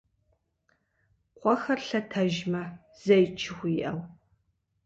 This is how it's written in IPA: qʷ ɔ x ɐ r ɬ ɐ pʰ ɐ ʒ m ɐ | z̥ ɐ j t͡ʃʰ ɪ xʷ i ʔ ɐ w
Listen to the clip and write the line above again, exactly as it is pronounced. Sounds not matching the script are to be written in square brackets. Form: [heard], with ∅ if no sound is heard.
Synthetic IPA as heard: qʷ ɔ x ɐ r ɬ ɐ [tʰ] ɐ ʒ m ɐ | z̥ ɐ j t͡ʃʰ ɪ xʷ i ʔ ɐ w